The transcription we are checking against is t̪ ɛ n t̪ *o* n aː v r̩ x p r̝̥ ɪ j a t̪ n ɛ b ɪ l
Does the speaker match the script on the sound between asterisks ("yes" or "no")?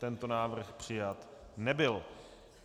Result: yes